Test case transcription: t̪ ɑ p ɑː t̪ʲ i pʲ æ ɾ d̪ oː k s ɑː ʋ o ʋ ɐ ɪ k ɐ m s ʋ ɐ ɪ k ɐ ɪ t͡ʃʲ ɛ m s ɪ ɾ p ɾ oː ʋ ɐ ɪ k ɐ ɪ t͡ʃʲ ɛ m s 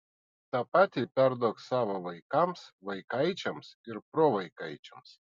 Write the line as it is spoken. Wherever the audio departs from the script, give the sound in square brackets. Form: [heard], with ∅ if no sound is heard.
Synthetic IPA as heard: t̪ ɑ p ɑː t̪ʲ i pʲ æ ɾ d̪ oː k s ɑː ʋ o ʋ ɐ ɪ k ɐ m s ʋ ɐ ɪ k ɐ ɪ t͡ʃʲ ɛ m s ɪ ɾ p ɾ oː ʋ ɐ ɪ k ɐ ɪ t͡ʃʲ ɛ m s